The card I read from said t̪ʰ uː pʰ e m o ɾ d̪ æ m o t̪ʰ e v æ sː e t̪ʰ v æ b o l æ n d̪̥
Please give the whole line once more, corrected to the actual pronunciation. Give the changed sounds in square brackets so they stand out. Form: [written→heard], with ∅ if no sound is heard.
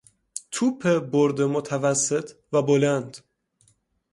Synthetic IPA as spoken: t̪ʰ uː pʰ e [m→b] o ɾ d̪ [æ→e] m o t̪ʰ [e→æ] v æ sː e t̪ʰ v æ b o l æ n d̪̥